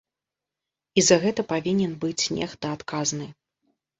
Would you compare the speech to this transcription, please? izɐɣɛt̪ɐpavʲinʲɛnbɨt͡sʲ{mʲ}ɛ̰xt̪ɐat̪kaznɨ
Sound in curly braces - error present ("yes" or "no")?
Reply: yes